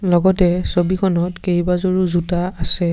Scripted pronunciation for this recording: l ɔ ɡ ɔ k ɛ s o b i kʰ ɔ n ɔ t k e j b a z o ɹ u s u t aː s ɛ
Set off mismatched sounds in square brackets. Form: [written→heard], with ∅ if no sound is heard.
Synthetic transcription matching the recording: l ɔ ɡ ɔ [k→t] ɛ s o b i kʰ ɔ n ɔ t k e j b a z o ɹ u [s→z] u t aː s ɛ